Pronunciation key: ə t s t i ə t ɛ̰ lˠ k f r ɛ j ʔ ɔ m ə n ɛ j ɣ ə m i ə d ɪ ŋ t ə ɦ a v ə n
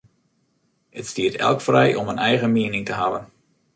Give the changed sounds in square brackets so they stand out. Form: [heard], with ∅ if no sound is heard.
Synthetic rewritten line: ə t s t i ə t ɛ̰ lˠ k f r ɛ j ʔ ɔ m ə n ɛ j ɣ ə m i ə [n] ɪ ŋ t ə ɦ a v ə n